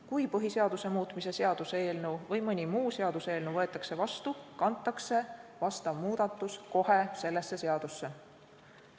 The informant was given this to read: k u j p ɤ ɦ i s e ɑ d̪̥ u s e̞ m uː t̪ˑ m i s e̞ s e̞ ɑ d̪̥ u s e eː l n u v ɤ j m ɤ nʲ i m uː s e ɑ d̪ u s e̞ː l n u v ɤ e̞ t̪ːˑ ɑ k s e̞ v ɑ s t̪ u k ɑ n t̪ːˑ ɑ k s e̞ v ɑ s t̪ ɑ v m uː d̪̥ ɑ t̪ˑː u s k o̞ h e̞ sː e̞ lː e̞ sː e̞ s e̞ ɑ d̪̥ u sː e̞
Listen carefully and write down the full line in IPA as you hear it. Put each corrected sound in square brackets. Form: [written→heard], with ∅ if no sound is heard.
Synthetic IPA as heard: k u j p ɤ ɦ i s e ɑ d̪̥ u s e̞ m uː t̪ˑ m i s e̞ s e̞ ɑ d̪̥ u s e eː l n u v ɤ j m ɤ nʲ i m uː s e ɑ d̪ u s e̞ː l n u v ɤ e̞ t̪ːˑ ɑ k s e̞ v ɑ s t̪ u k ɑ n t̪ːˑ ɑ k s e̞ v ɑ s t̪ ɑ v m uː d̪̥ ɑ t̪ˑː u s k o̞ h e̞ [sː→s] e̞ lː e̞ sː e̞ s e̞ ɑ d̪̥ u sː e̞